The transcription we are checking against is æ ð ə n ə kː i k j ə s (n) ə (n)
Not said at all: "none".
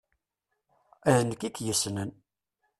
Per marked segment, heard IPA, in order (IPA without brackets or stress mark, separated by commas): n, n